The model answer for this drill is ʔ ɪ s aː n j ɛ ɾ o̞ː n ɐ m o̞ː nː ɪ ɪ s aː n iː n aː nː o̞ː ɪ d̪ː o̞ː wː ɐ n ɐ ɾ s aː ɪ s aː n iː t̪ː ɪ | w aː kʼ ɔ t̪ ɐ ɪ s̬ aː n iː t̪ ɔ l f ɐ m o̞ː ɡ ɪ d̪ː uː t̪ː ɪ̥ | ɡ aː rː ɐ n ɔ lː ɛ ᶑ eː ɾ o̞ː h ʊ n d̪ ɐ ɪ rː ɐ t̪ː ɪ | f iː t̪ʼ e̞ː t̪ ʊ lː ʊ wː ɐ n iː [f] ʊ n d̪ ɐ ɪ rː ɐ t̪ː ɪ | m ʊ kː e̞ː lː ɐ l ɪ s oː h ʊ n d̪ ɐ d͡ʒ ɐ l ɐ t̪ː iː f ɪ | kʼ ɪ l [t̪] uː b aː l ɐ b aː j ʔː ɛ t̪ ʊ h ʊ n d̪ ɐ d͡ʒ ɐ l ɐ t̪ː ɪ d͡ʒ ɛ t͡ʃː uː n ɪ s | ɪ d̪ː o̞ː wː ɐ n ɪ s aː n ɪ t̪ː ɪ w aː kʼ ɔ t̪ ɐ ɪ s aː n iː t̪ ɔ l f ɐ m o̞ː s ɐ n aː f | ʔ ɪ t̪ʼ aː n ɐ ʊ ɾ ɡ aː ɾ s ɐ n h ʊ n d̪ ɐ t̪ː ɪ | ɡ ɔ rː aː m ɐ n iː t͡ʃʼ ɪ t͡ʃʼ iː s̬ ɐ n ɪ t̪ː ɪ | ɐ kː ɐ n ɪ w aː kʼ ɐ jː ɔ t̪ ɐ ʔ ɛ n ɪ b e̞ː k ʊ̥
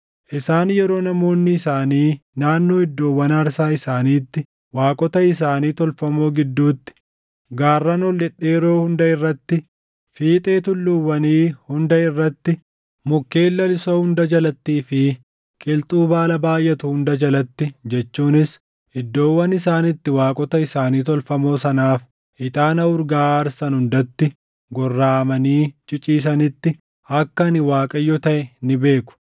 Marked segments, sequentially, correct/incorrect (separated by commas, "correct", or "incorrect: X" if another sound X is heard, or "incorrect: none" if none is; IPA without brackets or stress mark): incorrect: h, incorrect: t̪ʼ